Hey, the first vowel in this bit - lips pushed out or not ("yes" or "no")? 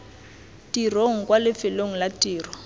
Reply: no